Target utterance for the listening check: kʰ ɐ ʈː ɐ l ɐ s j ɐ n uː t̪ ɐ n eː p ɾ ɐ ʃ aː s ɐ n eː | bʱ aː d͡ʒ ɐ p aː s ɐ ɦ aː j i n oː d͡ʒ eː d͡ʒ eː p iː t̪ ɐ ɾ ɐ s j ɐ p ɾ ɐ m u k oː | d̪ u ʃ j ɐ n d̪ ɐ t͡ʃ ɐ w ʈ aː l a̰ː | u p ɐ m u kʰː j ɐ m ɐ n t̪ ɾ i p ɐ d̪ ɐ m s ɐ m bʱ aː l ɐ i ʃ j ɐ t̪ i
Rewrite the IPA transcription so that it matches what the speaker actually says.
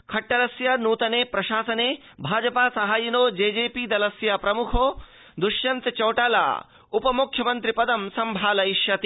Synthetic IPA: kʰ ɐ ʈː ɐ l ɐ s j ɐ n uː t̪ ɐ n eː p ɾ ɐ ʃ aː s ɐ n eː | bʱ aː d͡ʒ ɐ p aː s ɐ ɦ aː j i n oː d͡ʒ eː d͡ʒ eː p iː d̪ ɐ l ɐ s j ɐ p ɾ ɐ m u kʰ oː | d̪ u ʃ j ɐ n t̪ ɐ t͡ʃ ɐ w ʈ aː l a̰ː | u p ɐ m u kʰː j ɐ m ɐ n t̪ ɾ i p ɐ d̪ ɐ m s ɐ m bʱ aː l ɐ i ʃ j ɐ t̪ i